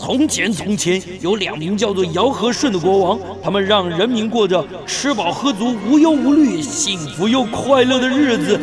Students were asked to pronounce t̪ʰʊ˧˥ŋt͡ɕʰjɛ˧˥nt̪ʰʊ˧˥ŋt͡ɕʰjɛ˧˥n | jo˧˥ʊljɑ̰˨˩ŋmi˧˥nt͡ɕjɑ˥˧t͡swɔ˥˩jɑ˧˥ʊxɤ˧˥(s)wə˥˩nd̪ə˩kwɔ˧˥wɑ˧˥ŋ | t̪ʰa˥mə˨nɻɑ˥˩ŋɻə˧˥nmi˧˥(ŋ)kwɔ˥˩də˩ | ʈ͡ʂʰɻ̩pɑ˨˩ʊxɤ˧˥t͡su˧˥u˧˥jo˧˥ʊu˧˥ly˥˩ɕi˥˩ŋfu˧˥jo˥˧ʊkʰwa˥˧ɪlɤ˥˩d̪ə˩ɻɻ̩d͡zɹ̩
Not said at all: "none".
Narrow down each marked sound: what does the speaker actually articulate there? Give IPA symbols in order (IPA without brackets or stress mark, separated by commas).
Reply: ʂ, n